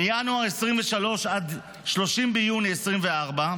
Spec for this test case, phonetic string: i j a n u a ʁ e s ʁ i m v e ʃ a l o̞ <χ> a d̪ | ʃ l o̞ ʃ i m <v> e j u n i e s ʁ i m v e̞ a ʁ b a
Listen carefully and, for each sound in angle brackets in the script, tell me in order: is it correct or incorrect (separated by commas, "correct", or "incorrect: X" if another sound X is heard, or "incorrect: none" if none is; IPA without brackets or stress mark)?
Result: incorrect: ʃ, incorrect: b